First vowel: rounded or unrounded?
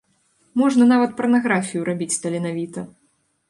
rounded